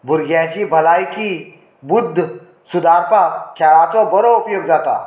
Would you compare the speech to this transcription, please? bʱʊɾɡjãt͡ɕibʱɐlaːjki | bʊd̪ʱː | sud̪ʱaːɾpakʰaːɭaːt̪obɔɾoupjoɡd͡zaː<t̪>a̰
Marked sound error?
no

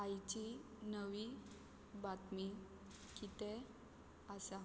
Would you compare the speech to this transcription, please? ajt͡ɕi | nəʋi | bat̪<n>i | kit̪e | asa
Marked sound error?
yes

